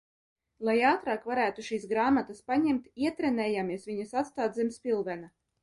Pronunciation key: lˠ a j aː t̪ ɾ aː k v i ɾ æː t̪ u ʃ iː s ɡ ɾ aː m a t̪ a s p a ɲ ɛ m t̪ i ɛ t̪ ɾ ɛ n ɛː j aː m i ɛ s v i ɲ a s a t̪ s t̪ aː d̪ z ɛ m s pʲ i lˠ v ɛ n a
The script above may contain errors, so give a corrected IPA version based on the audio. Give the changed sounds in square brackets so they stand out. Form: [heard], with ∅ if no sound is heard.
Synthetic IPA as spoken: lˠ a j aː t̪ ɾ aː k v [a] ɾ æː t̪ u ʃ iː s ɡ ɾ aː m a t̪ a s p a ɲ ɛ m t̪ i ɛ t̪ ɾ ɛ n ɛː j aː m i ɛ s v i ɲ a s a t̪ s t̪ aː d̪ z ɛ m s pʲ i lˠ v ɛ n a